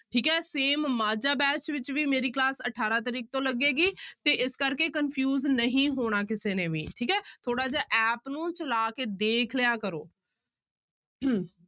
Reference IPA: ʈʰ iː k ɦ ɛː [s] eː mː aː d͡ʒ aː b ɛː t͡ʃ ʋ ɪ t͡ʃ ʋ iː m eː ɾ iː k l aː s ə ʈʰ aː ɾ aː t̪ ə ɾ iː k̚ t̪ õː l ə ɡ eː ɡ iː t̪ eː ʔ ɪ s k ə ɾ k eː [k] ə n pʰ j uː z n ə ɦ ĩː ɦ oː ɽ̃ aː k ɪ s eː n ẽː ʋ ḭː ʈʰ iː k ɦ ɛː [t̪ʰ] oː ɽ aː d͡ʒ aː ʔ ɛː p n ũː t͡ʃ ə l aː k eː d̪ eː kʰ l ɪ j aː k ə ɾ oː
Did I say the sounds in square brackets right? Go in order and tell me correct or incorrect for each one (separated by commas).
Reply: correct, correct, correct